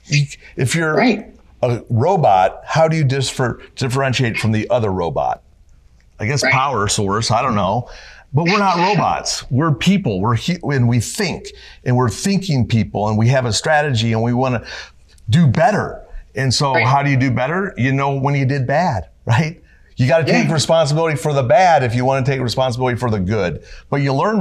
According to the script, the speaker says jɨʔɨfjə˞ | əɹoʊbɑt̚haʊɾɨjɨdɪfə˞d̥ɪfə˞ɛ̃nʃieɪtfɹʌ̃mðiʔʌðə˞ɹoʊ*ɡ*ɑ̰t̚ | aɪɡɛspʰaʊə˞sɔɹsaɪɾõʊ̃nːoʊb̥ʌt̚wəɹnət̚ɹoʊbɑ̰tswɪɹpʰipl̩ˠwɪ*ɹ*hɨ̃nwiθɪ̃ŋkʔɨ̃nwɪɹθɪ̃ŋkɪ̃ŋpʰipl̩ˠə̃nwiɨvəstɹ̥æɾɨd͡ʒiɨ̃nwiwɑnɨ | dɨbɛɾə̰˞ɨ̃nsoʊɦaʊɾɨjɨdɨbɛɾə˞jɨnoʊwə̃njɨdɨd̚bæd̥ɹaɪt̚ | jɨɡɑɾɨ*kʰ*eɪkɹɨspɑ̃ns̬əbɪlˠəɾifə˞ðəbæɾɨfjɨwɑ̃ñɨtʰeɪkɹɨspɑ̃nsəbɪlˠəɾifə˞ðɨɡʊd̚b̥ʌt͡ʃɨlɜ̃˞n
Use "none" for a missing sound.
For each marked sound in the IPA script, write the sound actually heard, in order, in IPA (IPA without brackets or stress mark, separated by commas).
b, ɹ, tʰ